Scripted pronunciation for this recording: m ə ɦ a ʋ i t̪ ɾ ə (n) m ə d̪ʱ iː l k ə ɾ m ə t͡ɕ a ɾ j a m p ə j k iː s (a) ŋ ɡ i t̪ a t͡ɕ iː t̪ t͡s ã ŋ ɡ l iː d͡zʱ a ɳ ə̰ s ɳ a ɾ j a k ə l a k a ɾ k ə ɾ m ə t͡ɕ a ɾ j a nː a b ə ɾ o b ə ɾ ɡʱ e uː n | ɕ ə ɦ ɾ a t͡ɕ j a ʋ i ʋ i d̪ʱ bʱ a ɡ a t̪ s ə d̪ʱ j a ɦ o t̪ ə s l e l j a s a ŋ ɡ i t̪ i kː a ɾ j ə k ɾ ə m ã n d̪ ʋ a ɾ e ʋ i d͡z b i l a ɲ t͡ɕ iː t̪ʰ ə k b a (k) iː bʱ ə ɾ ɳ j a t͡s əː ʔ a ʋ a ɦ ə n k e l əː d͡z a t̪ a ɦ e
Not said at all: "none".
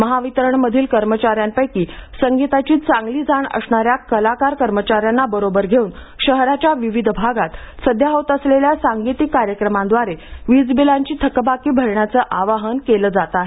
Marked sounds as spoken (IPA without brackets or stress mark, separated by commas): ɳ, ə, k